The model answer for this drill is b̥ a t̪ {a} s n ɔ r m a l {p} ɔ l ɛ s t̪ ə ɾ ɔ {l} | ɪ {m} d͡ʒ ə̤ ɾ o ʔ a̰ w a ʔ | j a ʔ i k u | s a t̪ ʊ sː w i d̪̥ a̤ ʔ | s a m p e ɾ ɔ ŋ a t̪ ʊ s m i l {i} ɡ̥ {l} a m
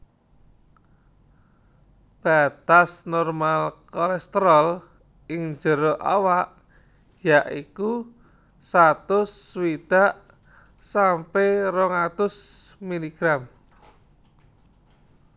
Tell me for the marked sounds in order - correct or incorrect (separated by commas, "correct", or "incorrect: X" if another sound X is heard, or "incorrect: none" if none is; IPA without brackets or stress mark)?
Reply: correct, incorrect: k, correct, incorrect: ŋ, correct, incorrect: ɾ